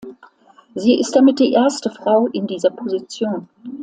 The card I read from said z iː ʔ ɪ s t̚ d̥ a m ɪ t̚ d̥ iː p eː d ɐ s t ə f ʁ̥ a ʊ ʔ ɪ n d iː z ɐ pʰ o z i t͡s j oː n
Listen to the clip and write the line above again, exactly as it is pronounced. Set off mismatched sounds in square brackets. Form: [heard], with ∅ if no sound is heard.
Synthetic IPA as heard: z iː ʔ ɪ s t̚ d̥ a m ɪ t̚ d̥ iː [ʔ] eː [∅] ɐ s t ə f ʁ̥ a ʊ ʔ ɪ n d iː z ɐ pʰ o z i t͡s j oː n